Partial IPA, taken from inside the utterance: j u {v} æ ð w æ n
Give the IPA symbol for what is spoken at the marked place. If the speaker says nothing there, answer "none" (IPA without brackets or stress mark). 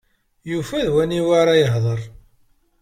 f